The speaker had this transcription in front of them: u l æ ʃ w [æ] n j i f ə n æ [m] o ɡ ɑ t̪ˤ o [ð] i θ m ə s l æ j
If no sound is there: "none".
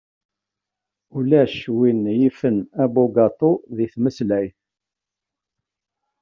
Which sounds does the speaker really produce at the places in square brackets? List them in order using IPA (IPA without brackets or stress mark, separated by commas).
i, b, ð